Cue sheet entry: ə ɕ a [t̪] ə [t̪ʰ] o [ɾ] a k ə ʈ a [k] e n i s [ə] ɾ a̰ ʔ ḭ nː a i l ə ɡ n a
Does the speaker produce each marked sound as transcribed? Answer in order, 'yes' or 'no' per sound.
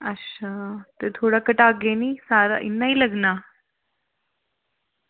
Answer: yes, yes, no, no, no

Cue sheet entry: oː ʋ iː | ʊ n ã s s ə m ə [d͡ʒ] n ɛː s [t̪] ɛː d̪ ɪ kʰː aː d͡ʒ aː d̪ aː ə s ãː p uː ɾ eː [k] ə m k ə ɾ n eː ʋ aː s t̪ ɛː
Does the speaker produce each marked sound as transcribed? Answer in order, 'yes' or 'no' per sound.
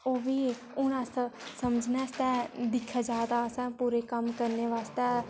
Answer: yes, yes, yes

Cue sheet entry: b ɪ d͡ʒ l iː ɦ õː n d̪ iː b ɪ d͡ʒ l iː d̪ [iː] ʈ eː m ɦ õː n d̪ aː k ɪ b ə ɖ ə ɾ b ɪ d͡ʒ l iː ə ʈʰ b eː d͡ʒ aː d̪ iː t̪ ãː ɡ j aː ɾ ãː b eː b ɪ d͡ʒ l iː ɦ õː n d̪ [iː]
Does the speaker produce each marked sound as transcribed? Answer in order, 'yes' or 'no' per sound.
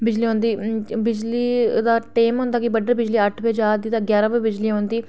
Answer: no, yes

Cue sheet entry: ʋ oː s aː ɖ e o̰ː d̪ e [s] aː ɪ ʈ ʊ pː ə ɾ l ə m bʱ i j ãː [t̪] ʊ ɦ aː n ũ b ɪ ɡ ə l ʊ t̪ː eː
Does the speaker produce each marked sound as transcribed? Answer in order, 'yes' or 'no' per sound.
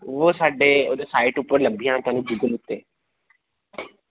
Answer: yes, yes

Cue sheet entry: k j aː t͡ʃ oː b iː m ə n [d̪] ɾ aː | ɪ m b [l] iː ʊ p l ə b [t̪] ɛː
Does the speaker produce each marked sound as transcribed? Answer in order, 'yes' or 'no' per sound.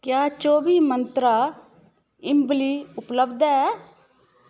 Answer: no, yes, no

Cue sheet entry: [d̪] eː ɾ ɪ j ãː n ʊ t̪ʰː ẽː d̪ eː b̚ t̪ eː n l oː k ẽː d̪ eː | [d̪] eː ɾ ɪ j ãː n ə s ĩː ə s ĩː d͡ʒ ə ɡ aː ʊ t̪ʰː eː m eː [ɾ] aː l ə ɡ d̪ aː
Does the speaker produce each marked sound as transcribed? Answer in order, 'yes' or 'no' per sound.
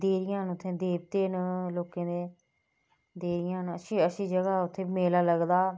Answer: yes, yes, no

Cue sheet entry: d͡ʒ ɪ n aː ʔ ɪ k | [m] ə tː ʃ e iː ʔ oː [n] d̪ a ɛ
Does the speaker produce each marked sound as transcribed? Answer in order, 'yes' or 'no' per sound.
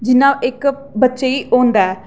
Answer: no, yes

